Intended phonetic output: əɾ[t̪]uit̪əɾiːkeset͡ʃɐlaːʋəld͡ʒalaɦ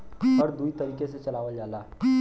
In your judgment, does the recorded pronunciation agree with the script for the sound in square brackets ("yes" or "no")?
no